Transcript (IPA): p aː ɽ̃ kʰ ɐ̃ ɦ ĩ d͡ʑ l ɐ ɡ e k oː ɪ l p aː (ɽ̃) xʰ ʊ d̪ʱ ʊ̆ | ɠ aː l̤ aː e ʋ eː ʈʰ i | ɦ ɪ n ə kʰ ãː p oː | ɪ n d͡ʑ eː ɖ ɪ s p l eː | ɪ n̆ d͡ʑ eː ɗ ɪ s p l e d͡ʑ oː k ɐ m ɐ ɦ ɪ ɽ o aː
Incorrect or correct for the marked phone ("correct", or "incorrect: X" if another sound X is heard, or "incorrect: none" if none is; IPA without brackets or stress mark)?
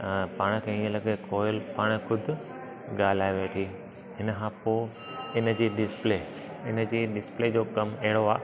correct